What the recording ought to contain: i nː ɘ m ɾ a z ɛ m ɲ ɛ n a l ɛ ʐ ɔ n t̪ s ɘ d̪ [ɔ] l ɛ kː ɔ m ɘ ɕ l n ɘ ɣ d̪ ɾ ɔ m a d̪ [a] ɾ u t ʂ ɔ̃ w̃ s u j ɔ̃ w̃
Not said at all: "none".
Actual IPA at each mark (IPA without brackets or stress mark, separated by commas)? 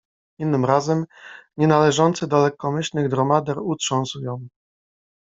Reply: ɔ, ɛ